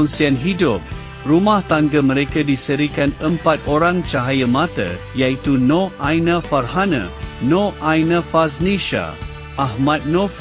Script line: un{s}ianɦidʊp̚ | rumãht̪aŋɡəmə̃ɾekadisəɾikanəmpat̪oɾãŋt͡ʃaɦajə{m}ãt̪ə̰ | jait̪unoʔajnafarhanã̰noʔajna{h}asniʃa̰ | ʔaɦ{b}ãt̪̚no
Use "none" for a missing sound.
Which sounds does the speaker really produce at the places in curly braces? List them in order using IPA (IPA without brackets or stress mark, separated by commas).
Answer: s, m, f, m